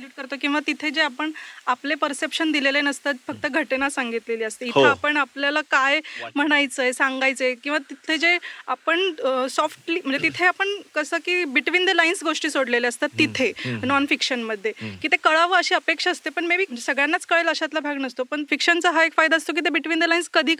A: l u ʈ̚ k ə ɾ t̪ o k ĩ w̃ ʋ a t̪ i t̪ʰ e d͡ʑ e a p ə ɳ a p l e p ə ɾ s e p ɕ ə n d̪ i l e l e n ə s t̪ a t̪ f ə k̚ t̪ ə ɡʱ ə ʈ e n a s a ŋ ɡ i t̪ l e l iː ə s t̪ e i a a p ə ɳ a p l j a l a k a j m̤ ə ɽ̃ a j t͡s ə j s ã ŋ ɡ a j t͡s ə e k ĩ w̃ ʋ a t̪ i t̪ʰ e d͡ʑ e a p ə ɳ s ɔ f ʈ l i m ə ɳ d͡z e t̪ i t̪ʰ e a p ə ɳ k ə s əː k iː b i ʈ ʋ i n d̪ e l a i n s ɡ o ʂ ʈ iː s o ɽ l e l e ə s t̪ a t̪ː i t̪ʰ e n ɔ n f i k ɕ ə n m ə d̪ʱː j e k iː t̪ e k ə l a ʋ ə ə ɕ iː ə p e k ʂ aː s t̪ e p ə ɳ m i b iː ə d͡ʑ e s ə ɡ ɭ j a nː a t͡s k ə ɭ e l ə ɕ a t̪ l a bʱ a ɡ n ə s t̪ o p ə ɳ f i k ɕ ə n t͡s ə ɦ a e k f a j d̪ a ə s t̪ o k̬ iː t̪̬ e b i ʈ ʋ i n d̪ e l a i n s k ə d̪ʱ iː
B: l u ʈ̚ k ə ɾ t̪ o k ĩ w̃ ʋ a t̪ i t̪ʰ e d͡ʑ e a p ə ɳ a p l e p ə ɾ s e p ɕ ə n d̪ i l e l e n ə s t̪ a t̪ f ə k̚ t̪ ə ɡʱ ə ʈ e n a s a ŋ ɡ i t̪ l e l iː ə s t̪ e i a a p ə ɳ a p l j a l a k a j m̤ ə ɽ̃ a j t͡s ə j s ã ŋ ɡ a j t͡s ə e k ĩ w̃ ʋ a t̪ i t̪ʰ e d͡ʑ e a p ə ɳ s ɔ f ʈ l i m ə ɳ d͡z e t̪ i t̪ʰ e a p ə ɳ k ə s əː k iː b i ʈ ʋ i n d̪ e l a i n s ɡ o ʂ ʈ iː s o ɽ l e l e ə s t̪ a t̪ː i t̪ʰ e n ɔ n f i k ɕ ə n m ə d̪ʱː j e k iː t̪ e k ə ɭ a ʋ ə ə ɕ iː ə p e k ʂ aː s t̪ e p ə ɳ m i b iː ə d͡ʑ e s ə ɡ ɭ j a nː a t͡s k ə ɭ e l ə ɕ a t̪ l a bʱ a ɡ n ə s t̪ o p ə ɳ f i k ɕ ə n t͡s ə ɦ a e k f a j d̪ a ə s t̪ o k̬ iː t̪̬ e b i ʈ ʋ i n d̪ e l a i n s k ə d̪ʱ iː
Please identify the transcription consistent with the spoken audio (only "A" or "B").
B